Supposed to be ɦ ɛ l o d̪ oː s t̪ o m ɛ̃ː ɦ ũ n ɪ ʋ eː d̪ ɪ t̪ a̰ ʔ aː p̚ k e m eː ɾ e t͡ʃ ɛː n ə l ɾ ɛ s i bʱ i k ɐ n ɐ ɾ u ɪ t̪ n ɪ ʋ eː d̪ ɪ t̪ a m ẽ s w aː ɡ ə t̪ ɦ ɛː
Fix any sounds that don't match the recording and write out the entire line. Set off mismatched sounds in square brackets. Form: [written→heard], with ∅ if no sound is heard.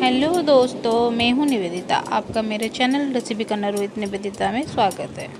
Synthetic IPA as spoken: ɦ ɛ l o d̪ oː s t̪ o m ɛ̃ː ɦ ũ n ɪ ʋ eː d̪ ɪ t̪ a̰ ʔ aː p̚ k [e→a] m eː ɾ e t͡ʃ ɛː n ə l ɾ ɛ s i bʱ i k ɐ n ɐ ɾ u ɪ t̪ n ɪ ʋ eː d̪ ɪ t̪ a m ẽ s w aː ɡ ə t̪ ɦ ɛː